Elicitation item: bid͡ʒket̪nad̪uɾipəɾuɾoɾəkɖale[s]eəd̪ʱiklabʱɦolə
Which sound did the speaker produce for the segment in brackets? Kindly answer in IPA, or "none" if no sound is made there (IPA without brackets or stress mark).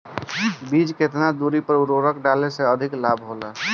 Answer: s